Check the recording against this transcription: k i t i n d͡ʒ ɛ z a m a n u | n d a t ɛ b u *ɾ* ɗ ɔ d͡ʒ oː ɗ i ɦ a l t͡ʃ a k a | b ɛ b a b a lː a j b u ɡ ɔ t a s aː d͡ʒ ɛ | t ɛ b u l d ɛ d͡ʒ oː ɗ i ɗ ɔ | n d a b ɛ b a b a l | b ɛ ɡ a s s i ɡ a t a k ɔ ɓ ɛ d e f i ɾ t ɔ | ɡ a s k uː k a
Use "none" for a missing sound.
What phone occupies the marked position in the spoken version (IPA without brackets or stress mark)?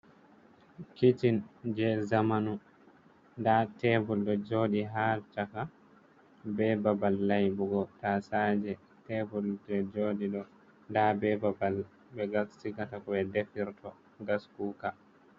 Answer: l